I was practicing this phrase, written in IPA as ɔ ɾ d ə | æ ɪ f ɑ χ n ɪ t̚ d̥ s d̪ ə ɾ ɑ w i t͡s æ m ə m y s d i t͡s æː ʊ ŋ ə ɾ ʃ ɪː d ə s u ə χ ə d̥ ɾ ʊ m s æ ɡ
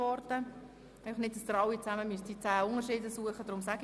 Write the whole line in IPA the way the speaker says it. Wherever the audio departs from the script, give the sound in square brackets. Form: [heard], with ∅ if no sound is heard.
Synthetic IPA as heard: ɔ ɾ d ə | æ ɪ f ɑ χ n ɪ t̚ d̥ s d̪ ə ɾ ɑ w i t͡s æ m ə m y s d i t͡s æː ʊ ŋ ə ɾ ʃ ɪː d ə s u ə χ ə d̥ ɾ ʊ m s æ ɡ